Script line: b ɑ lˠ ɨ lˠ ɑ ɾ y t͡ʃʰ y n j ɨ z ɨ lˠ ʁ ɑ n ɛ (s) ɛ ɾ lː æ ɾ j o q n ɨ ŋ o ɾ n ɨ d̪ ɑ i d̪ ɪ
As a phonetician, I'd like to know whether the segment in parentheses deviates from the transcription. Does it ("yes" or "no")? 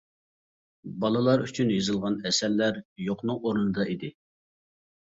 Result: no